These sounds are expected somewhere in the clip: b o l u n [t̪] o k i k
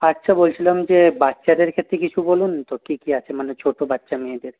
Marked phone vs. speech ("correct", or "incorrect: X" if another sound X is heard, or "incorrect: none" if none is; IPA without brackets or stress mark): correct